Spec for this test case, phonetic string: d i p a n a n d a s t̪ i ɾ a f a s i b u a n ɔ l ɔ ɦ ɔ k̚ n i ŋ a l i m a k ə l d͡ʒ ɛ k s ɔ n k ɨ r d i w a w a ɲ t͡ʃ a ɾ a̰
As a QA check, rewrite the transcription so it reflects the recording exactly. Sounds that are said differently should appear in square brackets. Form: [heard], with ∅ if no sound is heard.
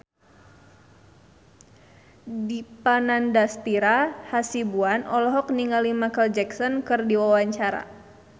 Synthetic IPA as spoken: d i p a n a n d a s t̪ i ɾ a [h] a s i b u a n ɔ l ɔ ɦ ɔ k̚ n i ŋ a l i m a k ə l d͡ʒ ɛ k s ɔ n k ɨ r d i w a w a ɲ t͡ʃ a ɾ a̰

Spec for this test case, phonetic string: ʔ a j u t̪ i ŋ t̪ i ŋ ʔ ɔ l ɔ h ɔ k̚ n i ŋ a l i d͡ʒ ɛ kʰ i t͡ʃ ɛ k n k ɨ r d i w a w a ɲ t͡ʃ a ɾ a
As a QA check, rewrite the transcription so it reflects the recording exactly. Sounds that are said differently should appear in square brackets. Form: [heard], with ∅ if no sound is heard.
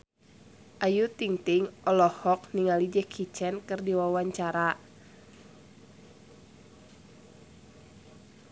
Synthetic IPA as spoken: ʔ a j u t̪ i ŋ t̪ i ŋ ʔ ɔ l ɔ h ɔ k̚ n i ŋ a l i d͡ʒ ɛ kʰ i t͡ʃ ɛ [∅] n k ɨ r d i w a w a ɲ t͡ʃ a ɾ a

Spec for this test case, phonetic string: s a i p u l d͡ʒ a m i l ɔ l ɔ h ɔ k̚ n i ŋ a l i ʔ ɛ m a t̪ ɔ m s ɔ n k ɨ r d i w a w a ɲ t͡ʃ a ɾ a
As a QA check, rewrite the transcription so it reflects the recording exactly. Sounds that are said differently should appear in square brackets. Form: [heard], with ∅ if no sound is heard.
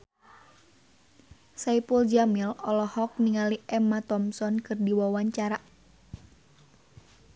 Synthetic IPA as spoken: s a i p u l d͡ʒ a m i l ɔ l ɔ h ɔ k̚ n i ŋ a l i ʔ ɛ m a t̪ ɔ m s ɔ n k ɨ r d i w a w a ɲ t͡ʃ a ɾ a

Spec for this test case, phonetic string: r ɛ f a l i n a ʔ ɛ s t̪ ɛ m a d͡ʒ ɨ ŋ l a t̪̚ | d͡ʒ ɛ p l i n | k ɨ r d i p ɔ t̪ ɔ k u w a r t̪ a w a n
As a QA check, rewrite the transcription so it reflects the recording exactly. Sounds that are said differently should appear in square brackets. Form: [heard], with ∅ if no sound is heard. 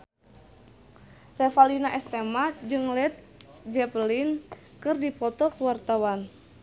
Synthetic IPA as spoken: r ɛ f a l i n a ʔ ɛ s t̪ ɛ m a d͡ʒ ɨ ŋ l [ɛ] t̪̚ | d͡ʒ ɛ p l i n | k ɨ r d i p ɔ t̪ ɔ k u w a r t̪ a w a n

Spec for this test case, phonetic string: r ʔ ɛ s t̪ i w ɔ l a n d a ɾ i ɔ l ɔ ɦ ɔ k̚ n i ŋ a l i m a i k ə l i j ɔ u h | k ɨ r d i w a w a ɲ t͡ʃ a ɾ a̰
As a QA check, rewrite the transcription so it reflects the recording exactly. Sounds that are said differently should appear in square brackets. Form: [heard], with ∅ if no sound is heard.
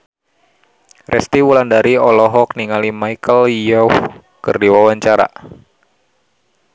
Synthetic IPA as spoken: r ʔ ɛ s t̪ i w [u] l a n d a ɾ i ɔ l ɔ ɦ ɔ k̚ n i ŋ a l i m a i k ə l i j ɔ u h | k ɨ r d i w a w a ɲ t͡ʃ a ɾ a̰

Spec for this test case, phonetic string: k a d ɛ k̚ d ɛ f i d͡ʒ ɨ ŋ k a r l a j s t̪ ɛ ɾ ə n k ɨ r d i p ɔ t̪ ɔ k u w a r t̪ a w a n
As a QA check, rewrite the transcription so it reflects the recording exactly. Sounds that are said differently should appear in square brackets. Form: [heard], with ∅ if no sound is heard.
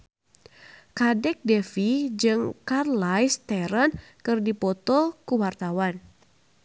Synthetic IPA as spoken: k a d ɛ k̚ d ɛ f i d͡ʒ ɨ ŋ k a r l a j s t̪ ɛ ɾ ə n k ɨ r d i p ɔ t̪ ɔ k u w a r t̪ a w a n

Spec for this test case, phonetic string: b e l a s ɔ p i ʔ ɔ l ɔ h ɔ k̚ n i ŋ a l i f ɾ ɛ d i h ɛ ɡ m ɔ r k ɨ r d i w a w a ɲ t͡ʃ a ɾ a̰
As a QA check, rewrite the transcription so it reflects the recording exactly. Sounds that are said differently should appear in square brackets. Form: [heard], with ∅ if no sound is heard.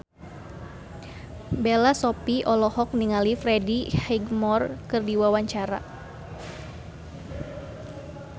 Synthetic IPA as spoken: b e l a s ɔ p i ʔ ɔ l ɔ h ɔ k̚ n i ŋ a l i f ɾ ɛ d i h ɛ ɡ m ɔ r k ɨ r d i w a w a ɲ t͡ʃ a ɾ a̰

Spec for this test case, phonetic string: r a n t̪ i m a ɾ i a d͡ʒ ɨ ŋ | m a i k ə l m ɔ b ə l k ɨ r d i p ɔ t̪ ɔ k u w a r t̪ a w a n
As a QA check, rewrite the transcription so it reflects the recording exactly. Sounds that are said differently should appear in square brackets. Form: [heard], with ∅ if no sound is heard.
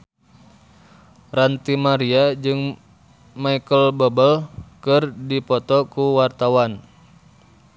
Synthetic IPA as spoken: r a n t̪ i m a ɾ i a d͡ʒ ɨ ŋ | m a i k ə l [b] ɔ b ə l k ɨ r d i p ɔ t̪ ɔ k u w a r t̪ a w a n

